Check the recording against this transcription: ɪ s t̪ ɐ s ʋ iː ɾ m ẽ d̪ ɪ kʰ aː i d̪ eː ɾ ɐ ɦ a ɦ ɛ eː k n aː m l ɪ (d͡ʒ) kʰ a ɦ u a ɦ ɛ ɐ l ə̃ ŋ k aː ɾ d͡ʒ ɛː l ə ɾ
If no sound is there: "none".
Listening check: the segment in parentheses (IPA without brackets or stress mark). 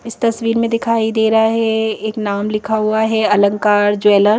none